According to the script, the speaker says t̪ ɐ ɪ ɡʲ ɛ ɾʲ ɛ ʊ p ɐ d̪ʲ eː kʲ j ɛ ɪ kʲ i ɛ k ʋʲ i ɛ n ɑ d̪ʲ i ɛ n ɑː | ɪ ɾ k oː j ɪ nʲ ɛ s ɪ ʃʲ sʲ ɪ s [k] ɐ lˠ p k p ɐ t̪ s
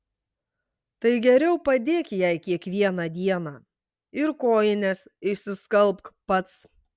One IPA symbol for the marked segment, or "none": k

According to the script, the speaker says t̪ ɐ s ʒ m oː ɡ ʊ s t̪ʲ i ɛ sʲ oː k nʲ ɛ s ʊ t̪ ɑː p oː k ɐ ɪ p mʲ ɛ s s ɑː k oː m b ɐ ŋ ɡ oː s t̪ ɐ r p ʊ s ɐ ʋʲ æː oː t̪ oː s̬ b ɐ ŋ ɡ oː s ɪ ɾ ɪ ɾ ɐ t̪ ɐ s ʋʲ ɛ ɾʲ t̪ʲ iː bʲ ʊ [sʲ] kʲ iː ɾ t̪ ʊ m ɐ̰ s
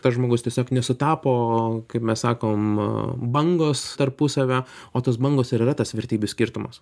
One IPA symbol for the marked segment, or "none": sʲ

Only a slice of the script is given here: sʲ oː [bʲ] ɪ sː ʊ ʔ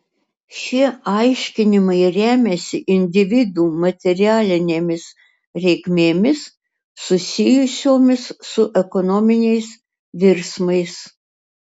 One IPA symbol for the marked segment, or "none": mʲ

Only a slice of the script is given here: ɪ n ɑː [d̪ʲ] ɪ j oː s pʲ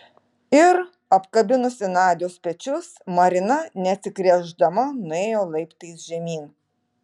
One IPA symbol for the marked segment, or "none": d̪ʲ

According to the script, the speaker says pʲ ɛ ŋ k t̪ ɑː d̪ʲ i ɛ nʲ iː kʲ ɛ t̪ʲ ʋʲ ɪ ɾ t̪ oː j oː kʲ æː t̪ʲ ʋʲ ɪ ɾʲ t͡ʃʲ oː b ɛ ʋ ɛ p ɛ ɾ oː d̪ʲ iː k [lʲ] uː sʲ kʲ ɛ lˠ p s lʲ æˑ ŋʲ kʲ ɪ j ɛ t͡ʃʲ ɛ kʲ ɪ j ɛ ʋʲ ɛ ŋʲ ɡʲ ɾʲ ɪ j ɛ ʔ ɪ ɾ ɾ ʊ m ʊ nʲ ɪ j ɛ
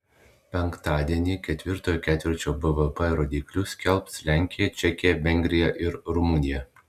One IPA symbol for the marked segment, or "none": lʲ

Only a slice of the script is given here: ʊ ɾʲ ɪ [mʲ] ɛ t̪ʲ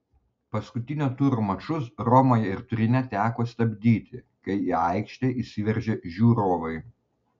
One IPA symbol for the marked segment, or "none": nʲ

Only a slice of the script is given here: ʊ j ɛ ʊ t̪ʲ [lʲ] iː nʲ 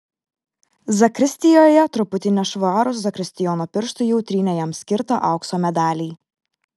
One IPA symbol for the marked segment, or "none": ɾʲ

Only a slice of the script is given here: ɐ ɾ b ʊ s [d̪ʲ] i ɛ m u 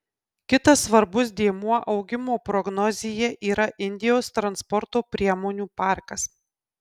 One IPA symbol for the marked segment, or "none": d̪ʲ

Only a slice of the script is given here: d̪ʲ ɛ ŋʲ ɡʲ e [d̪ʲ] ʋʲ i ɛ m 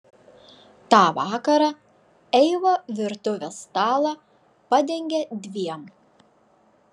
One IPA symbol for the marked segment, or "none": d̪ʲ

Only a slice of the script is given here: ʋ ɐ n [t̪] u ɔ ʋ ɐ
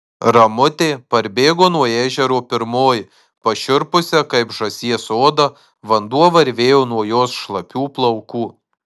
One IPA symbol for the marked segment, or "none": d̪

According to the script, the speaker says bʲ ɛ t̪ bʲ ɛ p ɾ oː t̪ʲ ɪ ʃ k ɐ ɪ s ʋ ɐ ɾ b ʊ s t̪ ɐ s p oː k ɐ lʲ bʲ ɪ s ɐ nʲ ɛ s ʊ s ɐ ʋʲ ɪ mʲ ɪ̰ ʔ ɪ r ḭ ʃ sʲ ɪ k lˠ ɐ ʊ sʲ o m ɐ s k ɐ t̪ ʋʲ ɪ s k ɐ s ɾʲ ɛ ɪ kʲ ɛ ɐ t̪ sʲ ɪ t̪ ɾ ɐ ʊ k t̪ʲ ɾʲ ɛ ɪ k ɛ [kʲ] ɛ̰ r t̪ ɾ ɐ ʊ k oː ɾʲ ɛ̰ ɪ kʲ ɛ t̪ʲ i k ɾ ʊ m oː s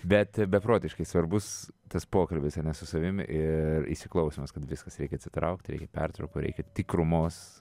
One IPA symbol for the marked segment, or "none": pʲ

